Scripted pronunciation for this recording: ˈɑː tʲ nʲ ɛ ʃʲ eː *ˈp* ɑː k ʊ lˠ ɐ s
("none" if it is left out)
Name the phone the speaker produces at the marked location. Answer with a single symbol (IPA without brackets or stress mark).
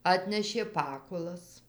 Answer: p